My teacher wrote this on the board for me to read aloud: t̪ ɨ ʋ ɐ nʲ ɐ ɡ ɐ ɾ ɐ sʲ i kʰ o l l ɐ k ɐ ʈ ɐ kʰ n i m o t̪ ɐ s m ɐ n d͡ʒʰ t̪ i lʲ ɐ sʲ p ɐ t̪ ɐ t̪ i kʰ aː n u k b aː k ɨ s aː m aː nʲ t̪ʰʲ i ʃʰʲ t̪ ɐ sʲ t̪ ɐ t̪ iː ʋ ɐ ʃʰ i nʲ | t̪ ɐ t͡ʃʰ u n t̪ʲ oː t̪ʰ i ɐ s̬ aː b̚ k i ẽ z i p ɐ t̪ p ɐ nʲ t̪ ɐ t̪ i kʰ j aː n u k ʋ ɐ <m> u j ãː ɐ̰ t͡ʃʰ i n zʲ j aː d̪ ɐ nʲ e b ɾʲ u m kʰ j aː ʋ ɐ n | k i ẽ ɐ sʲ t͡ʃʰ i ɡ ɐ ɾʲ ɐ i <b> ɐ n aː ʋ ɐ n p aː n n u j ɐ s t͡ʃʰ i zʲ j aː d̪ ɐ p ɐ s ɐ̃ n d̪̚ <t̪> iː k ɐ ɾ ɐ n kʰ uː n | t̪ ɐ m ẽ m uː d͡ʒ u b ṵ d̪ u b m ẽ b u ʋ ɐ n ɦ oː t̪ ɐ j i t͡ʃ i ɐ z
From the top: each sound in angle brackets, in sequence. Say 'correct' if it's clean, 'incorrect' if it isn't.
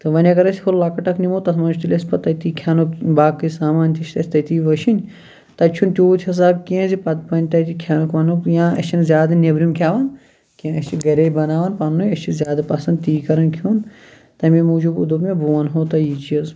incorrect: n, correct, correct

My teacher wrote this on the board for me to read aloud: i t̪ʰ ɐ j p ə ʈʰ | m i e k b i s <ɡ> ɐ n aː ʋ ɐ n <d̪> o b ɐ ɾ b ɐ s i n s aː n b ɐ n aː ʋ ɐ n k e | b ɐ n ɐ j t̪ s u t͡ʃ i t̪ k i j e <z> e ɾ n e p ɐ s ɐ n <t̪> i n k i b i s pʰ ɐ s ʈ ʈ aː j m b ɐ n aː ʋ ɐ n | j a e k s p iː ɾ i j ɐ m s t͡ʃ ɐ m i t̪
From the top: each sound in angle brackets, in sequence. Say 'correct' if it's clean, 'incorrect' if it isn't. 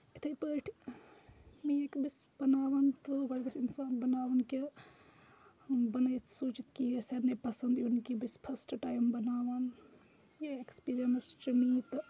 incorrect: b, incorrect: t̪, incorrect: s, incorrect: d̪

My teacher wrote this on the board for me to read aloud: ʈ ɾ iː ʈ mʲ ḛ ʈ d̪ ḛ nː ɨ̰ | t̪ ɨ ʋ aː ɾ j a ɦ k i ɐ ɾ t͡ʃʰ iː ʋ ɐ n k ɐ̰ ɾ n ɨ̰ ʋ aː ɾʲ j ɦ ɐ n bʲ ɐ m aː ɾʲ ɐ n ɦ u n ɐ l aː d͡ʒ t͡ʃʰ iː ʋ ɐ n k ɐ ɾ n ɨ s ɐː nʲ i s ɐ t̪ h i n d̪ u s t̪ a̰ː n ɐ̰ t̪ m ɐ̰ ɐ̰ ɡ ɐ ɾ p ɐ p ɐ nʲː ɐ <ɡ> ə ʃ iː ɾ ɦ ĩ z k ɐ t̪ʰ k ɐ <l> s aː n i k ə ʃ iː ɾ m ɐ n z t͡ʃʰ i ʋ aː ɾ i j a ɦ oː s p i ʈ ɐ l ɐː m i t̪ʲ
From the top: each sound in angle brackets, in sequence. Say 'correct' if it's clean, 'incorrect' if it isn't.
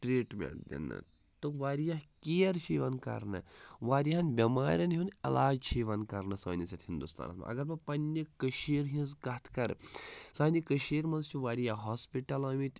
incorrect: k, incorrect: ɾ

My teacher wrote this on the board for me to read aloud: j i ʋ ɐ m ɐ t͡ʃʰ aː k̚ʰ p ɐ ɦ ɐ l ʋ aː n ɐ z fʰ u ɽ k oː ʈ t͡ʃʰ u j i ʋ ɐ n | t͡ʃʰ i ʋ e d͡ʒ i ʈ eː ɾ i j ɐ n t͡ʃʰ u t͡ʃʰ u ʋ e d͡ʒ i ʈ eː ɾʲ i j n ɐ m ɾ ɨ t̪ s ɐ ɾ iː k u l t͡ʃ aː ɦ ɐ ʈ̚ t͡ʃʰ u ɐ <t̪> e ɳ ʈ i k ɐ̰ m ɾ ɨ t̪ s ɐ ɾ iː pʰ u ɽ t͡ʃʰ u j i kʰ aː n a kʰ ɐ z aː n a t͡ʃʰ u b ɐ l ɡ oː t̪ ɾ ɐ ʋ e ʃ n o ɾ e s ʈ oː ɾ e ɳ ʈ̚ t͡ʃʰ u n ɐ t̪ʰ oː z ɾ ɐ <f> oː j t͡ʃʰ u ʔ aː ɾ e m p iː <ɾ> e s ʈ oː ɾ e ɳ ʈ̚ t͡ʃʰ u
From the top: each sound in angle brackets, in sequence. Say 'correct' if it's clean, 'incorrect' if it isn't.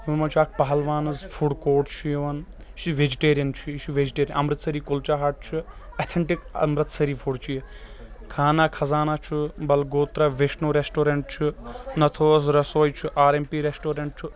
incorrect: t̪ʰ, incorrect: s, correct

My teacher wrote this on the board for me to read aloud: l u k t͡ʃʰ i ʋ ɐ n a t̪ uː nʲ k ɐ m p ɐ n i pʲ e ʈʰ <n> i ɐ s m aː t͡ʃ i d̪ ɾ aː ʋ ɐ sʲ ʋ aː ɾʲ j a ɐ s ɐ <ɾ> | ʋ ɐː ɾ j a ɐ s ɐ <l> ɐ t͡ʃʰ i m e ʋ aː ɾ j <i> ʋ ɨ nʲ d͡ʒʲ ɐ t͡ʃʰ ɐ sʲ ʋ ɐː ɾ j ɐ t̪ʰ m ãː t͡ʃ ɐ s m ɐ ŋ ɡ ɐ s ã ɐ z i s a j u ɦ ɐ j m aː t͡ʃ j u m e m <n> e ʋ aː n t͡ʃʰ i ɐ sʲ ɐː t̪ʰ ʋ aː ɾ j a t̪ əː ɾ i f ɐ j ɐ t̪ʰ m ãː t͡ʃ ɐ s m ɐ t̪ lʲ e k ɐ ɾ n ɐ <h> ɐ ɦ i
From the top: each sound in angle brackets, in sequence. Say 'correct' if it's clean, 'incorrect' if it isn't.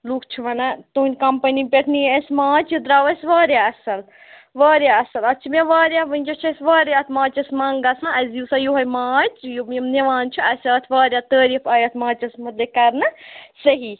correct, incorrect: l, correct, incorrect: a, correct, incorrect: s

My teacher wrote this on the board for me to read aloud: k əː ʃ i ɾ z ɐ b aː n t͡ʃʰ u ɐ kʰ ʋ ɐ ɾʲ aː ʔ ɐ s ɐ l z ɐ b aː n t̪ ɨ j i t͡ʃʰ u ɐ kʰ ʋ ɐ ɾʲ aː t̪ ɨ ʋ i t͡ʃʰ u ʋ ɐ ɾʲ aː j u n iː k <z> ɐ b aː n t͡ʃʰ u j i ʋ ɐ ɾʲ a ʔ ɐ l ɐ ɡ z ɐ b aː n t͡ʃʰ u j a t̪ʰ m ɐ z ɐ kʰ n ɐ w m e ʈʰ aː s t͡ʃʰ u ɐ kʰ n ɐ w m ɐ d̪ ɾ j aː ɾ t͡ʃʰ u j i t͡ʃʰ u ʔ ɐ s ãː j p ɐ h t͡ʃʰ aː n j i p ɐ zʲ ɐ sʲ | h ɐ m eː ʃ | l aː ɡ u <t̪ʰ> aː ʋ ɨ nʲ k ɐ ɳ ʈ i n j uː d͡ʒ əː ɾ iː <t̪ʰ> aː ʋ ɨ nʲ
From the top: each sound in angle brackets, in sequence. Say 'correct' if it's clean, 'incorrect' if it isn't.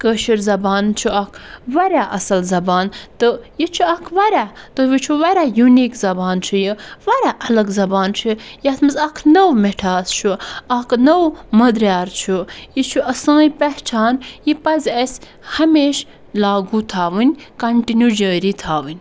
correct, correct, correct

